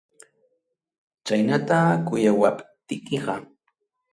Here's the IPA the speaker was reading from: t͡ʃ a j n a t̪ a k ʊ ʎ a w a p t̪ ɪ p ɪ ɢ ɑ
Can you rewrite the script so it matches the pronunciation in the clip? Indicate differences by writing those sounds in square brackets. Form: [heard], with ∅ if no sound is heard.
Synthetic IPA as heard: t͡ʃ a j n a t̪ a k ʊ [j] a w a p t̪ ɪ [k] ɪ ɢ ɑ